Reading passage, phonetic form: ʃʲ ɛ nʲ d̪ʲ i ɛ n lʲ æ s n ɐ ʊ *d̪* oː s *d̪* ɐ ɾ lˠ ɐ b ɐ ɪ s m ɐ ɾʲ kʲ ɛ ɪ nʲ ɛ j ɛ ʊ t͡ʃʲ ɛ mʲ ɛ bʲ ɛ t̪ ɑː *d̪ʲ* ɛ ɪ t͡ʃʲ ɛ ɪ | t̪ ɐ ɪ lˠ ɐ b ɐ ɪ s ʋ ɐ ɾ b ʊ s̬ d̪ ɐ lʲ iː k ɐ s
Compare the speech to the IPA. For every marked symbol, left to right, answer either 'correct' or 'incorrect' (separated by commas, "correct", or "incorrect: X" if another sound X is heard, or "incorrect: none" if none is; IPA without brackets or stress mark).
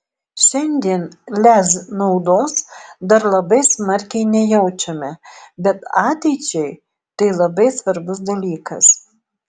correct, correct, incorrect: t̪ʲ